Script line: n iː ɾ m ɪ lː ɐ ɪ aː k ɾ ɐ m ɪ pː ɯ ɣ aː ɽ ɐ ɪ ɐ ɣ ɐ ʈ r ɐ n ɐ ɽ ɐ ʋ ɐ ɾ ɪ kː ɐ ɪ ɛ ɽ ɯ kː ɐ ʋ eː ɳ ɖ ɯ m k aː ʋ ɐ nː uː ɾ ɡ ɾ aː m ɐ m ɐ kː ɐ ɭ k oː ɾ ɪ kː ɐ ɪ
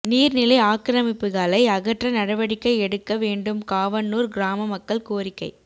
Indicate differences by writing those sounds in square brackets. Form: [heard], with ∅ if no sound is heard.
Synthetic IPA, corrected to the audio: n iː ɾ [n] ɪ [l] ɐ ɪ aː k ɾ ɐ m ɪ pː ɯ ɣ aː [l] ɐ ɪ ɐ ɣ ɐ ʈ r ɐ n ɐ ɽ ɐ ʋ ɐ [ɽ] ɪ kː ɐ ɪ ɛ ɽ ɯ kː ɐ ʋ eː ɳ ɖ ɯ m k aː ʋ ɐ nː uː ɾ ɡ ɾ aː m ɐ m ɐ kː ɐ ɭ k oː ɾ ɪ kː ɐ ɪ